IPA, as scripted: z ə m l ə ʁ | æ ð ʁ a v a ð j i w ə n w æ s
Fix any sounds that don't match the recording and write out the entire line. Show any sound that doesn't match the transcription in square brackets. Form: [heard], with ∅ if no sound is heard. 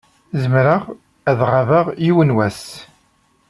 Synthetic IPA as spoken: z ə m [ɾ] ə ʁ | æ ð ʁ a v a [ʁ] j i w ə n w æ s